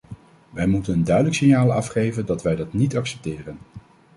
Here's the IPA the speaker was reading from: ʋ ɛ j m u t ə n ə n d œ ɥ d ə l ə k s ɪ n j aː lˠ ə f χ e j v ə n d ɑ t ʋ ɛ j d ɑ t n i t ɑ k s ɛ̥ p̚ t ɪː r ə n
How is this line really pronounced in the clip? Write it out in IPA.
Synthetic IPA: ʋ ɛ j m u t ə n ə n d œ ɥ d ə l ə k s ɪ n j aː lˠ ɑ f χ e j v ə n d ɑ t ʋ ɛ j d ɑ t n i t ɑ k s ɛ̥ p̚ t ɪː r ə n